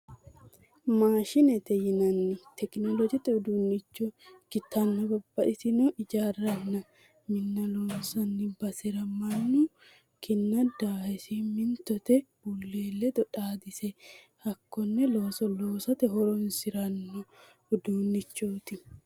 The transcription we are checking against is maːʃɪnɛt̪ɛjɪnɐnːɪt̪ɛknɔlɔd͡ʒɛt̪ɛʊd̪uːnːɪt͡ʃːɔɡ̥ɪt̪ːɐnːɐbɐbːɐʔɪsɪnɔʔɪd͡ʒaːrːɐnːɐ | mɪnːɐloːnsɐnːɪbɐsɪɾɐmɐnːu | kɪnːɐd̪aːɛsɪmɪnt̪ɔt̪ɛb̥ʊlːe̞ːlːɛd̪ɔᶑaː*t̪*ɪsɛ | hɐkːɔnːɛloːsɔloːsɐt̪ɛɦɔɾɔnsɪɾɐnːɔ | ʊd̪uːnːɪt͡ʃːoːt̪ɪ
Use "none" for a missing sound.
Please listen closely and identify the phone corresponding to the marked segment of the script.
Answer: d̪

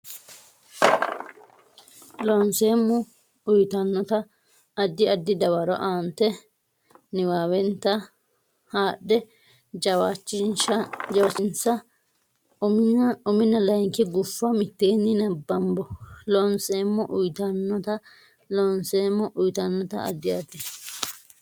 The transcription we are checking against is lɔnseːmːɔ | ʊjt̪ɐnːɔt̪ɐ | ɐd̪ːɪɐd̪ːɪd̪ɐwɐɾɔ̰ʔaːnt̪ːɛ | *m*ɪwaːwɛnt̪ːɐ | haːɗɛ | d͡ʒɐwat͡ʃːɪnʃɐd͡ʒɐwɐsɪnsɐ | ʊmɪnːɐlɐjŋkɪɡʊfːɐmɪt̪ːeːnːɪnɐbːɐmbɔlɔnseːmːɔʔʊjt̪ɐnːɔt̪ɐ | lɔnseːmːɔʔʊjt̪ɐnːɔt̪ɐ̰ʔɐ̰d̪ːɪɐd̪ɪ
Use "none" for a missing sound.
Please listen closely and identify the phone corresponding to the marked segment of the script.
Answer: n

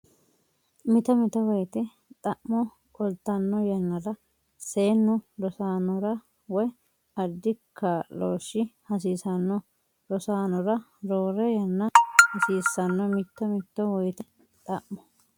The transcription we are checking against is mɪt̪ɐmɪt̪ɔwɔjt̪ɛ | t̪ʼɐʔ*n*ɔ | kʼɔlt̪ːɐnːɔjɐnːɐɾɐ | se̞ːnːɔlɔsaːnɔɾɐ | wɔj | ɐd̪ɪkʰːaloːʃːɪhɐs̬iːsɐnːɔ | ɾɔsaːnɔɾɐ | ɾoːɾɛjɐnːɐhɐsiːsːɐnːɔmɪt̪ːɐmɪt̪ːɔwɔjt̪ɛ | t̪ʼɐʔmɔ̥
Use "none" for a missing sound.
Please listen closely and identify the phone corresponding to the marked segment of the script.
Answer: m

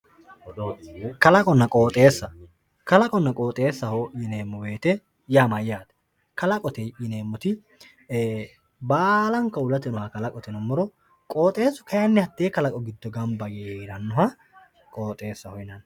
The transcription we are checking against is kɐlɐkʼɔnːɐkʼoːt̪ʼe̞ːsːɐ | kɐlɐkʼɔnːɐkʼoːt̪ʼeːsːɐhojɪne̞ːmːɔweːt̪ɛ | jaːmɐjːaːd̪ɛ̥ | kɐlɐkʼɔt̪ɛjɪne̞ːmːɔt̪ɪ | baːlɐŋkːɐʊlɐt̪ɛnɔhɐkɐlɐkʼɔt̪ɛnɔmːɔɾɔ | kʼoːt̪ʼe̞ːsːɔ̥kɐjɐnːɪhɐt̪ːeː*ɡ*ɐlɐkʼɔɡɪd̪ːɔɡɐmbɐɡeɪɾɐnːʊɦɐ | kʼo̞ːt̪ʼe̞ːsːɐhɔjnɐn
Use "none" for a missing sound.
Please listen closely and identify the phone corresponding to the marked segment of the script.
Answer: k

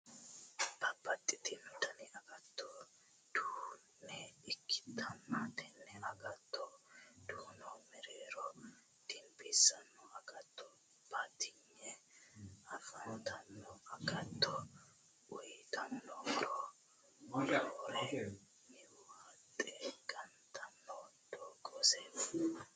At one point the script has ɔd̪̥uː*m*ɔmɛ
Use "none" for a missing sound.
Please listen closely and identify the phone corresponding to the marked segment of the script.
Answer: n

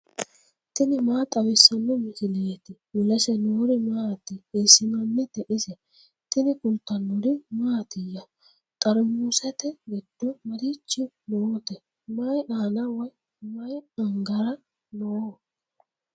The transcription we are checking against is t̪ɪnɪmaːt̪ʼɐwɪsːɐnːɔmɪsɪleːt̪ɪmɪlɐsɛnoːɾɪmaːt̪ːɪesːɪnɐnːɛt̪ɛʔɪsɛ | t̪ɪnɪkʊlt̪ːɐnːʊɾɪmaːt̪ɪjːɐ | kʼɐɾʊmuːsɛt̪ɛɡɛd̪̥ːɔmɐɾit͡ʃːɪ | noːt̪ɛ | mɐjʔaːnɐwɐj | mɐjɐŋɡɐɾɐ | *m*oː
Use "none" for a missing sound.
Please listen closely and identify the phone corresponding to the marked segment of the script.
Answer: n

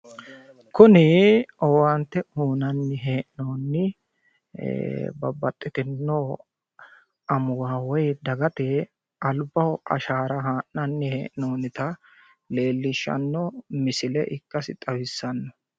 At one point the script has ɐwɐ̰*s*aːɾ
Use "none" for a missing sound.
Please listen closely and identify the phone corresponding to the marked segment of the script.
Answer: ʃ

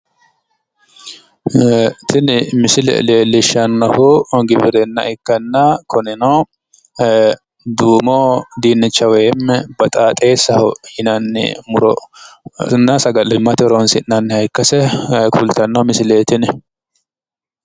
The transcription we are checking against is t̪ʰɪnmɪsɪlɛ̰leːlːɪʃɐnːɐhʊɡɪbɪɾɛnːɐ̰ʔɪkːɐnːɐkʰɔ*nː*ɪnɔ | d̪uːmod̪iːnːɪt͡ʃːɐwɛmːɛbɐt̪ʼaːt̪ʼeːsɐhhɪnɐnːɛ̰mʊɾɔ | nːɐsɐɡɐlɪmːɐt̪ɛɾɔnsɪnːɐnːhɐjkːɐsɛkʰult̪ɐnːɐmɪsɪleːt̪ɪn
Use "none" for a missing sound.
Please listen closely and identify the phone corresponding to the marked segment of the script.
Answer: n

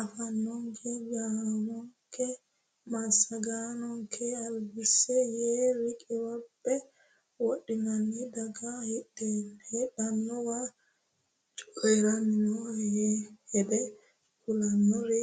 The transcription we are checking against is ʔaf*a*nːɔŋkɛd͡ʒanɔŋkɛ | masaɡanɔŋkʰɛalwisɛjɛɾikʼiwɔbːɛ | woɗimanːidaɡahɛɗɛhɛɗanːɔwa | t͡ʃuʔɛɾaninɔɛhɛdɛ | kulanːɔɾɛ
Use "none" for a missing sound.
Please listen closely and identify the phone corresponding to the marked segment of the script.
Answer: a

